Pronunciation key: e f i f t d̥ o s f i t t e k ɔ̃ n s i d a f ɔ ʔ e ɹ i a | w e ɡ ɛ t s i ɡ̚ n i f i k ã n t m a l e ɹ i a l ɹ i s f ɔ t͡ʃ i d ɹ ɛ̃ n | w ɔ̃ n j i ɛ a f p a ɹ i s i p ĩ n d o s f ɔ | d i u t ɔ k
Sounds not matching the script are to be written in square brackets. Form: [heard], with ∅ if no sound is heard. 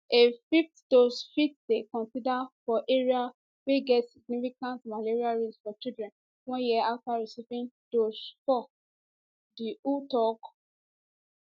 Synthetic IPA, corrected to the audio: e f i f t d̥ o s f i t [d] e k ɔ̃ n s i d a f ɔ ʔ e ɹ i a | w e ɡ ɛ t s i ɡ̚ n i f i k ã n t m a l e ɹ i a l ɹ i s f ɔ t͡ʃ i d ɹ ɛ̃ n | w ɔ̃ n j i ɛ a f [t] a ɹ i s i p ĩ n d o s f ɔ | d i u t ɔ k